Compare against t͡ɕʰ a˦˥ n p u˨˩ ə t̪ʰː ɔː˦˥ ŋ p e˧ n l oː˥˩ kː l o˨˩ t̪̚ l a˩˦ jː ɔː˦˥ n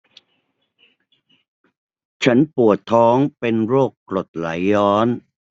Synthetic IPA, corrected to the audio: t͡ɕʰ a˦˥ n p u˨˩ ə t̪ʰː ɔː˦˥ ŋ p e˧ n ɾ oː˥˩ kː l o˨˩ t̪̚ l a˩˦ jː ɔː˦˥ n